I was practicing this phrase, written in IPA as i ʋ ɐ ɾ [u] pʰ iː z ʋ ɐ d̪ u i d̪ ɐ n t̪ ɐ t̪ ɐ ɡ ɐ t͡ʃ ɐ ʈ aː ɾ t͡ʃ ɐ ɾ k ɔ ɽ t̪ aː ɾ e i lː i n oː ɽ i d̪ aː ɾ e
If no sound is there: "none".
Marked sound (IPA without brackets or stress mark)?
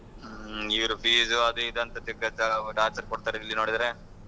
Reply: u